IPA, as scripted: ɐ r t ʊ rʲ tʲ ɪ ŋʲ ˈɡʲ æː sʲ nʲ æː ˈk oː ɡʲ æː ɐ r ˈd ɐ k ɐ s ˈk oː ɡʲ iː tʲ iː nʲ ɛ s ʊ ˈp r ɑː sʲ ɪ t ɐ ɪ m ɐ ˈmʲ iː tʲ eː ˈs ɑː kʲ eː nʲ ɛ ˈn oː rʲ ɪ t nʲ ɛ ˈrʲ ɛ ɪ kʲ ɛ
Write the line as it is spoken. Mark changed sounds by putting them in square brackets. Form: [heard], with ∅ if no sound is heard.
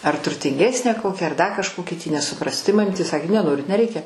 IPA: ɐ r t ʊ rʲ tʲ ɪ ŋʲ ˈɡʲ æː sʲ nʲ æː ˈk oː [kʲ] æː ɐ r ˈd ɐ k ɐ [ʃ] ˈk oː [kʲ] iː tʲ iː nʲ ɛ s ʊ ˈp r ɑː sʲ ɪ t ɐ ɪ m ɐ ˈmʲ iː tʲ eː ˈs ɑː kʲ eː nʲ ɛ ˈn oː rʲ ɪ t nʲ ɛ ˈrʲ ɛ ɪ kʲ ɛ

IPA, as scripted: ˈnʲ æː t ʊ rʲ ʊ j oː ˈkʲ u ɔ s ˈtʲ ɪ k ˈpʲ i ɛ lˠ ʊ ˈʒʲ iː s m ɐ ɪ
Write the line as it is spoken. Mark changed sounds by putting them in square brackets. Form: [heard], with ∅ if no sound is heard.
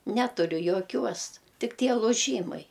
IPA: ˈnʲ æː t ʊ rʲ ʊ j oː ˈkʲ u ɔ s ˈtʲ ɪ k [ˈtʲ] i ɛ lˠ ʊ ˈʒʲ iː [∅] m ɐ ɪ

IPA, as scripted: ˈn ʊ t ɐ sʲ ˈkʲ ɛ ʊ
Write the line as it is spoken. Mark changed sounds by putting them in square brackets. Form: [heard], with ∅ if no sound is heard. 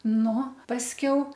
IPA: ˈn ʊ [p] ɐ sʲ ˈkʲ ɛ ʊ

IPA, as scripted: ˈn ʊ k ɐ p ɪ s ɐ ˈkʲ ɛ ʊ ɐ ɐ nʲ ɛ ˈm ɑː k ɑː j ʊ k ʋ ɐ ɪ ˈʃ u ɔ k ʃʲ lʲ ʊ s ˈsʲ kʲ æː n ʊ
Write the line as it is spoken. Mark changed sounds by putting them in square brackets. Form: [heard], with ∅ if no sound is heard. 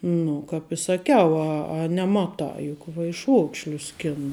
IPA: ˈn ʊ k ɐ p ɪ s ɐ ˈkʲ ɛ ʊ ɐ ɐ nʲ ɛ ˈm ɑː [t] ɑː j ʊ k ʋ ɐ ɪ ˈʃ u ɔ k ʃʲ lʲ ʊ s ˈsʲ kʲ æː n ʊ

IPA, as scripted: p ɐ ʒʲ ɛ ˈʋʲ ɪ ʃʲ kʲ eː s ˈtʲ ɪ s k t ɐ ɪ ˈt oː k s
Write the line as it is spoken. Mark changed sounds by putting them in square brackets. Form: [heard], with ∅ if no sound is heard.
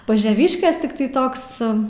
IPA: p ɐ ʒʲ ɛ ˈʋʲ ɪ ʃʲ kʲ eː s ˈtʲ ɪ [∅] k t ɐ ɪ ˈt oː k s

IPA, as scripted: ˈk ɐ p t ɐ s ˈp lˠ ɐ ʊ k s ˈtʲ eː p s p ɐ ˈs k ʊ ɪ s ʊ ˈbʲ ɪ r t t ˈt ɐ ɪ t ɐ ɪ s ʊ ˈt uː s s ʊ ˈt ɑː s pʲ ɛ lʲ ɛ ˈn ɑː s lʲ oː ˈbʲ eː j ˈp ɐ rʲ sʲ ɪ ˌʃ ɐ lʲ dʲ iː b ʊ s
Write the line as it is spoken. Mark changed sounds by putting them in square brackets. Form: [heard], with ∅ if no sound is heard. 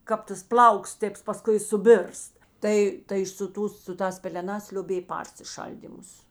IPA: ˈk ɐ p t ɐ s ˈp lˠ ɐ ʊ k s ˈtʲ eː p s p ɐ ˈs k ʊ ɪ s ʊ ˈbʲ ɪ r [s] t ˈt ɐ ɪ t ɐ ɪ s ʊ ˈt uː s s ʊ ˈt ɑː s pʲ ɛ lʲ ɛ ˈn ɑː s lʲ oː ˈbʲ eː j ˈp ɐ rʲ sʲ ɪ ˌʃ ɐ lʲ dʲ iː [m] ʊ s

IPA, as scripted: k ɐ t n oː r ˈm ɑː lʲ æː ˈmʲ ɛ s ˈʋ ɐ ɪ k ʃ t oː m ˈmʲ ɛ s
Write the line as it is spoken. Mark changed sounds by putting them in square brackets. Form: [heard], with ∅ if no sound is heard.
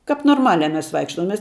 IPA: k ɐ [p] n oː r ˈm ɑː lʲ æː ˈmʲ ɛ s ˈʋ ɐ ɪ k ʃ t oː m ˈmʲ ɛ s

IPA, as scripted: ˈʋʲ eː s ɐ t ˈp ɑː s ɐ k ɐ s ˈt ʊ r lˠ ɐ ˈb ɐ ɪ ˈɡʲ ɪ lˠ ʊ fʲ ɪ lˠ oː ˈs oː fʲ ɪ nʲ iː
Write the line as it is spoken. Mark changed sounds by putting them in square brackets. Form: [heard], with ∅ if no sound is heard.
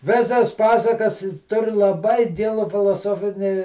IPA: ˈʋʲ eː s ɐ [s] ˈp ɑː s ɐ k ɐ s ˈt ʊ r lˠ ɐ ˈb ɐ ɪ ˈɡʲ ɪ lˠ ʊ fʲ ɪ lˠ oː ˈs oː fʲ ɪ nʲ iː

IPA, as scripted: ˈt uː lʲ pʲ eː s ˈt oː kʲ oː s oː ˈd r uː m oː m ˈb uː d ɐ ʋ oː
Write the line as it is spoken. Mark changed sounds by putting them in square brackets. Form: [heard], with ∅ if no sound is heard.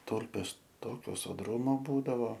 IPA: ˈt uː lʲ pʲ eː s ˈt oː kʲ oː s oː ˈd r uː m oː [∅] ˈb uː d ɐ ʋ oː

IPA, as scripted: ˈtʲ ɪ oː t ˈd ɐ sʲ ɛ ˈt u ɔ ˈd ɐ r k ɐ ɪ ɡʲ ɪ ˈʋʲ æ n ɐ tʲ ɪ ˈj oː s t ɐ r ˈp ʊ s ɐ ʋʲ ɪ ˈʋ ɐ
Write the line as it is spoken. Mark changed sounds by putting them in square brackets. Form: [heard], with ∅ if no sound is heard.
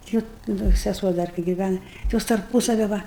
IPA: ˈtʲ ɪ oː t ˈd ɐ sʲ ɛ [ˈs] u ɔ ˈd ɐ r k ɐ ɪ ɡʲ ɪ ˈʋʲ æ n ɐ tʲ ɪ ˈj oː s t ɐ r ˈp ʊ s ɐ ʋʲ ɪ ˈʋ ɐ

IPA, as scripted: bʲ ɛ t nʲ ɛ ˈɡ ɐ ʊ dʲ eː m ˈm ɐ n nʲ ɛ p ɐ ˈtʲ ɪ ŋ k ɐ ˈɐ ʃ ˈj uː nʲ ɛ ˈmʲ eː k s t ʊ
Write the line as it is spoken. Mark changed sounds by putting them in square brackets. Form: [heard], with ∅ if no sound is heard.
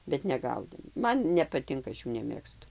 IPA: bʲ ɛ t nʲ ɛ ˈɡ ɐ ʊ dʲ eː m ˈm ɐ n nʲ ɛ p ɐ ˈtʲ ɪ ŋ k ɐ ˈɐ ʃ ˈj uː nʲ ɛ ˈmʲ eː k s t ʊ

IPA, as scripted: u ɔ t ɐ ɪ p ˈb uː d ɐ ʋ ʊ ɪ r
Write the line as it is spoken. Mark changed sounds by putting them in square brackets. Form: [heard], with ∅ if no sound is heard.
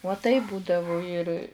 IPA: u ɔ t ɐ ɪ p ˈb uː d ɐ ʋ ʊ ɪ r

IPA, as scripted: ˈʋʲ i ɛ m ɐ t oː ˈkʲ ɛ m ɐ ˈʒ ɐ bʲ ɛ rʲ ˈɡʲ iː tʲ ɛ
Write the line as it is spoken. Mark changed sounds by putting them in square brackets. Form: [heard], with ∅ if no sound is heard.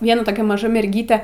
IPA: ˈʋʲ i ɛ [n] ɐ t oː ˈkʲ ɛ m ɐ ˈʒ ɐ [mʲ] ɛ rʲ ˈɡʲ iː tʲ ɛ

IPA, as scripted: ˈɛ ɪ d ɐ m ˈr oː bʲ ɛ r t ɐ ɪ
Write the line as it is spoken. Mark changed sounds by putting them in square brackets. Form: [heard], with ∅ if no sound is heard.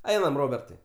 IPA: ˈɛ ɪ [n] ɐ m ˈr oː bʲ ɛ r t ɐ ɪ

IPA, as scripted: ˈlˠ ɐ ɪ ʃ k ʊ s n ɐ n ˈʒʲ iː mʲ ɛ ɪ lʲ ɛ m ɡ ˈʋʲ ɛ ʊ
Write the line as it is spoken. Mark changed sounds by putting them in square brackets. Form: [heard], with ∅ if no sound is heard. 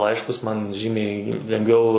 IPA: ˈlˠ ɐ ɪ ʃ k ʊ s [m] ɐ n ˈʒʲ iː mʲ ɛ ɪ lʲ ɛ [ŋ] ɡ ˈʋʲ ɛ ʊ

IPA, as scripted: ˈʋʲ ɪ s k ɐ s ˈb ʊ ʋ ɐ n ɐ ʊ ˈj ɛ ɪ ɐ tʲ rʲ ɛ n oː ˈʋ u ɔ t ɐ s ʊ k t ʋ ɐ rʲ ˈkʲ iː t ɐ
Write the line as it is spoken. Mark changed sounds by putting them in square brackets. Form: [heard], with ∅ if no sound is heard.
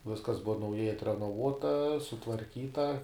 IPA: ˈʋʲ ɪ s k ɐ s ˈb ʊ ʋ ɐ n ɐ ʊ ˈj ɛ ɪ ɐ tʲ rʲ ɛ n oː ˈʋ u ɔ t ɐ s ʊ [∅] t ʋ ɐ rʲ ˈkʲ iː t ɐ

